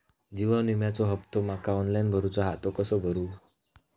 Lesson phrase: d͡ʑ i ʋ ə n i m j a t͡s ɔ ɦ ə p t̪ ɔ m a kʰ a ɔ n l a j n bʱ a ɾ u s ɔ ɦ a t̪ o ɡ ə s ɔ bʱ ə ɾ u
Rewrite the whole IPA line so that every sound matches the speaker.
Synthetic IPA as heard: d͡ʑ i ʋ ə n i m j a t͡s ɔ ɦ ə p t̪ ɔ m a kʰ a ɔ n l a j n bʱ ə ɾ u t͡s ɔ ɦ a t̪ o k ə s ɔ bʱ ə ɾ u